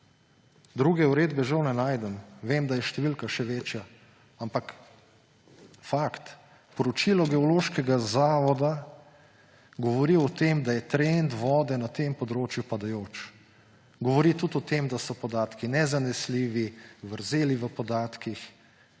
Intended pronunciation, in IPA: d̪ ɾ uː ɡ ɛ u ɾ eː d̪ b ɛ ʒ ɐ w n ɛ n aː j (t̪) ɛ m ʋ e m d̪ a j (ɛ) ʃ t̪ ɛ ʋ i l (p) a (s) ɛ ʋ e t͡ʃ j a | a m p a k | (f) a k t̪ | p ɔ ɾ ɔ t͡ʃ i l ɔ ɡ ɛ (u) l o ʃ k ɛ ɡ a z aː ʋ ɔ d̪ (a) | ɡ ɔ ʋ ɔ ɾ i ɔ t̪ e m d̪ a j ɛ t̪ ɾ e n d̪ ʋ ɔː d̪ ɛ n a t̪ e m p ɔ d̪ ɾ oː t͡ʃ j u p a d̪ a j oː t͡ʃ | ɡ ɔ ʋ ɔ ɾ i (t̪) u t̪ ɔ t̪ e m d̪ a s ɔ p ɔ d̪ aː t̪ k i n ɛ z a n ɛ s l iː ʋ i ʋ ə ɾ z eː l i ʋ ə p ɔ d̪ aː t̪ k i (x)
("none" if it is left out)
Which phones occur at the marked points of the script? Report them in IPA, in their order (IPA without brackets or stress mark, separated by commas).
d̪, ɛ, k, ʃ, f, ɔ, a, t̪, x